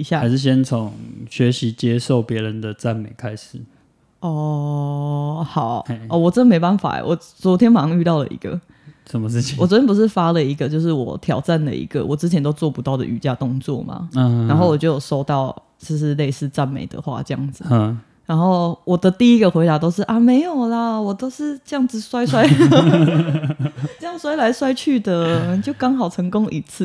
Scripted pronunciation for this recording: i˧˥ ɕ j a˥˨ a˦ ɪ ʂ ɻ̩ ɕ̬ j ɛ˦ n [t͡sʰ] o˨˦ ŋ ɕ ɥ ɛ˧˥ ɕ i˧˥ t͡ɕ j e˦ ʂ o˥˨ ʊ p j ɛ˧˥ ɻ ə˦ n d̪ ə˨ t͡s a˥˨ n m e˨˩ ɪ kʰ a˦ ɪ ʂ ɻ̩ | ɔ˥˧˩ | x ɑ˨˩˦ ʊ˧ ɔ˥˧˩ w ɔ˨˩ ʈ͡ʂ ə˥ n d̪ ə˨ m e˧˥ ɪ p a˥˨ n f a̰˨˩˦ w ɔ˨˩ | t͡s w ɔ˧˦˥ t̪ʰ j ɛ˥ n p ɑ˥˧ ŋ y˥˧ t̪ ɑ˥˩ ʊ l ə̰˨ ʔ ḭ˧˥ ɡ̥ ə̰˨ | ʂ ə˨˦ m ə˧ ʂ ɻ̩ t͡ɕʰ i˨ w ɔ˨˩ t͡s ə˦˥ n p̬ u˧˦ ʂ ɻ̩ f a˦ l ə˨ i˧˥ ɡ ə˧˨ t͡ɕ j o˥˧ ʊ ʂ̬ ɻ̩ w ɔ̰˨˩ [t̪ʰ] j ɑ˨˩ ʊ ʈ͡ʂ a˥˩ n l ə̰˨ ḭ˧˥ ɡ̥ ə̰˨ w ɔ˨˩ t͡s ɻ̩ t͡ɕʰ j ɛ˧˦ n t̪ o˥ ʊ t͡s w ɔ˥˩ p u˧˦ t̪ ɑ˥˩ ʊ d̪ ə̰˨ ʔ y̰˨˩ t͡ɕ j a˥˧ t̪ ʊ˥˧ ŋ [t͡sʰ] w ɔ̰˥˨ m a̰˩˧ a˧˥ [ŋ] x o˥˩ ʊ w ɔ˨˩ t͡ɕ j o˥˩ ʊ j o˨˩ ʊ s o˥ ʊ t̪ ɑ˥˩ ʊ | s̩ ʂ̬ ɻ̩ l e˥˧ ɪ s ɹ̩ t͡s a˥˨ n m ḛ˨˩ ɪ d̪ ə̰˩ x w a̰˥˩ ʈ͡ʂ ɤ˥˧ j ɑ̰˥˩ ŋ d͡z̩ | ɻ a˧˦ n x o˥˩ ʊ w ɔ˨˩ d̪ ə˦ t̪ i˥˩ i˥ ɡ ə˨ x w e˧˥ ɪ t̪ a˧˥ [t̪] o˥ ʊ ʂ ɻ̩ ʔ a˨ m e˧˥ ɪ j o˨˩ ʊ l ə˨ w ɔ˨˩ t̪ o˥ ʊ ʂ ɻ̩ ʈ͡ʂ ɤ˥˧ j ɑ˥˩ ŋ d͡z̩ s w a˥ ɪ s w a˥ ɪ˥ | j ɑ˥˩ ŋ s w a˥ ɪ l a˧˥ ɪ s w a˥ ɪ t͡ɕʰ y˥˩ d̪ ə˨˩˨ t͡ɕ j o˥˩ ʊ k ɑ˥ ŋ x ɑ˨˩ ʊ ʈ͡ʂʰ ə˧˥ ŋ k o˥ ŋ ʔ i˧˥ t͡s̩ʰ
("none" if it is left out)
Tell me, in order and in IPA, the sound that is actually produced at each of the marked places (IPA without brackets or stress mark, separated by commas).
t͡sʰ, t̪ʰ, t͡s, n, t̪